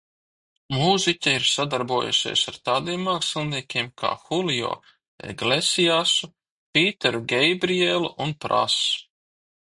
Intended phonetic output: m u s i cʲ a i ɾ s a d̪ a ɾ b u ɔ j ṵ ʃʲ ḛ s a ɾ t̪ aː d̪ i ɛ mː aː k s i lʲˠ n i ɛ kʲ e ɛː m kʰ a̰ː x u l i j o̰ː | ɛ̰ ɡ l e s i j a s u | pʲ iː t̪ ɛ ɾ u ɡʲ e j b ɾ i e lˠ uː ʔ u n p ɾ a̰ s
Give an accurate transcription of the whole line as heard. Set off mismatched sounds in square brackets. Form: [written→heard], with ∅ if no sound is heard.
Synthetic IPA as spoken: m u [s→z] i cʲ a i ɾ s a d̪ a ɾ b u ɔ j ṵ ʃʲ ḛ s a ɾ t̪ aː d̪ i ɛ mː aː k s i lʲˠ n i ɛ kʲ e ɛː m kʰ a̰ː x u l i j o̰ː | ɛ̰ ɡ l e s i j a s u | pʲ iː t̪ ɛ ɾ u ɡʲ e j b ɾ i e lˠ [uː→u] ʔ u n p ɾ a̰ s